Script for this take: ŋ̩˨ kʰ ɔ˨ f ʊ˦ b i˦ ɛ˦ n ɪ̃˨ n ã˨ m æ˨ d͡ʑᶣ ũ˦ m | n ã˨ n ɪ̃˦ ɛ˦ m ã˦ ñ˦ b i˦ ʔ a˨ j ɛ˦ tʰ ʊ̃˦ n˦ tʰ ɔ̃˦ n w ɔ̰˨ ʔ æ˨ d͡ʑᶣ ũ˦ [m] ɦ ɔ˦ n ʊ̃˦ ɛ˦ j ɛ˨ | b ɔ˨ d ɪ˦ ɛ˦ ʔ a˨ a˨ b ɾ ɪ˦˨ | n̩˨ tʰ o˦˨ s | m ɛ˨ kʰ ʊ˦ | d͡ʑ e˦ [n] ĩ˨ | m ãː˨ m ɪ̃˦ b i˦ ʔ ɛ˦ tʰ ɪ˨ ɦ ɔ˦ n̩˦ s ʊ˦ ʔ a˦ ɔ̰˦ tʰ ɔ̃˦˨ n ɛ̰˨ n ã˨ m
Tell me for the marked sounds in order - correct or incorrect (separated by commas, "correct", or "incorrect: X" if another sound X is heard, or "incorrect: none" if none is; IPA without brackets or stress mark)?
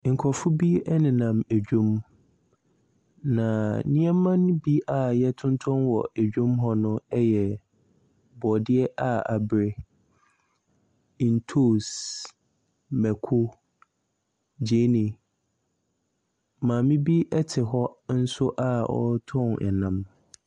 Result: correct, correct